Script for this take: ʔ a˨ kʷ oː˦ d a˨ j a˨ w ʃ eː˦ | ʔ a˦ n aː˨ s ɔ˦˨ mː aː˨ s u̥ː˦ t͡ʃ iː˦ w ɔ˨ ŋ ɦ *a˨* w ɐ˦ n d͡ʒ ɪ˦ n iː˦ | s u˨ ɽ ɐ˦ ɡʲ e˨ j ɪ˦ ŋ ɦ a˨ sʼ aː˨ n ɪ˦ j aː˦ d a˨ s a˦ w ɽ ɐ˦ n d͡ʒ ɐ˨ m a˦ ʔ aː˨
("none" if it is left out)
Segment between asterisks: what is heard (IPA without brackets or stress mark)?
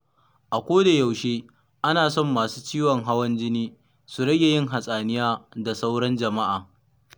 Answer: a˦